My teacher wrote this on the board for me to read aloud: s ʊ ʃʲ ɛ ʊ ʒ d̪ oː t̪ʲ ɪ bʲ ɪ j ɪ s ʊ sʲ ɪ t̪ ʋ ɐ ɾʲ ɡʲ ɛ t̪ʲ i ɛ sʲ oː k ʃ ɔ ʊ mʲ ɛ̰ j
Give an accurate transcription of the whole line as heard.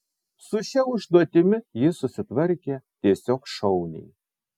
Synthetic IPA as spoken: s ʊ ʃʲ ɛ ʊ ʒ d̪ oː t̪ʲ ɪ mʲ ɪ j ɪ s ʊ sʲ ɪ t̪ ʋ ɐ ɾʲ kʲ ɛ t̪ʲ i ɛ sʲ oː k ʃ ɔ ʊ nʲ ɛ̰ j